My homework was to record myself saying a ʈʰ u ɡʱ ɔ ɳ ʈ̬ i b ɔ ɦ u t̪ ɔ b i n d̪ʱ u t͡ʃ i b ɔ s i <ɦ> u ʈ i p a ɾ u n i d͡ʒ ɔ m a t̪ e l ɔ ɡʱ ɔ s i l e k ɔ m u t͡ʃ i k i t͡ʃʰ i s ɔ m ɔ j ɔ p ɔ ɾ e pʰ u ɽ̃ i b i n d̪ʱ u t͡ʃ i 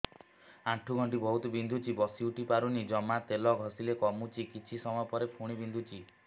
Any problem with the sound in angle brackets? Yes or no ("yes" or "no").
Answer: yes